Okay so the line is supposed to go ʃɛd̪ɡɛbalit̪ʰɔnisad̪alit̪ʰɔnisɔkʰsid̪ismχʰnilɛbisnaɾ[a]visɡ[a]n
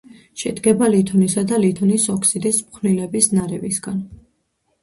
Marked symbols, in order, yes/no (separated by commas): no, yes